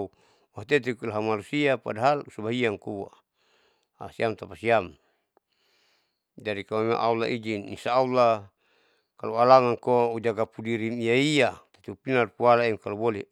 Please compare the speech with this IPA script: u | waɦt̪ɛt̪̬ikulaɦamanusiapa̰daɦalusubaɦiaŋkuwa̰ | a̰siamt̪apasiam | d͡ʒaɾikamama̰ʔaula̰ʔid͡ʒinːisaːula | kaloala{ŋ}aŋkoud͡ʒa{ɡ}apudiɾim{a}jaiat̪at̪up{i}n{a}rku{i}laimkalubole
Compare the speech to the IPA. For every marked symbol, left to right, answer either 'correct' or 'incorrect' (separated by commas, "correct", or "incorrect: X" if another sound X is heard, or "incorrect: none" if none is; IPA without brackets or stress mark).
correct, correct, incorrect: i, correct, correct, incorrect: a